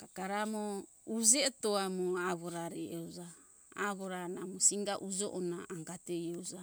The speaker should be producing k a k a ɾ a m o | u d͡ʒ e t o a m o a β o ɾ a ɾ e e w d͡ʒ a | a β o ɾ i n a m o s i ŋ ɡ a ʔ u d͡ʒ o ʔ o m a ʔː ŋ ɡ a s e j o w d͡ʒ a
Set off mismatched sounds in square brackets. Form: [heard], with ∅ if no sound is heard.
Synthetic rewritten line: k a k a ɾ a m o | u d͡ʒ e t o a m o a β o ɾ a ɾ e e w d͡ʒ a | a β o ɾ [a] n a m o s i ŋ ɡ a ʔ u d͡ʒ o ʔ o [n] a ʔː ŋ ɡ a [t] e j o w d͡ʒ a